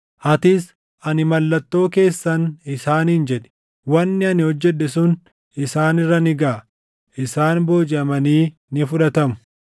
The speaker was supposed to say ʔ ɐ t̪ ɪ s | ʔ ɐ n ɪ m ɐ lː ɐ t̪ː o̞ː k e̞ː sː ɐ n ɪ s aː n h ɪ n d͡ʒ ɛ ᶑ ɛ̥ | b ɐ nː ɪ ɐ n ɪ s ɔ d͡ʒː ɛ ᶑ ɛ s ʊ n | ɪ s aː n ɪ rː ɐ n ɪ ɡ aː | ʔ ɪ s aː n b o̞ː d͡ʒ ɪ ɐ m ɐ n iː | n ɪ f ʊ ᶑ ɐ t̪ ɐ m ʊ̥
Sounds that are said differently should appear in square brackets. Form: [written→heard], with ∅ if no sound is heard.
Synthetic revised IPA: ʔ ɐ t̪ ɪ s | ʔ ɐ n ɪ m ɐ lː ɐ t̪ː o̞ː k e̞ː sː ɐ n ɪ s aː n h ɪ n d͡ʒ ɛ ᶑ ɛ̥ | [b→w] ɐ nː ɪ ɐ n ɪ [s→h] ɔ d͡ʒː ɛ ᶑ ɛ s ʊ n | ɪ s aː n ɪ rː ɐ n ɪ ɡ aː | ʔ ɪ s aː n b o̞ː d͡ʒ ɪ ɐ m ɐ n iː | n ɪ f ʊ ᶑ ɐ t̪ ɐ m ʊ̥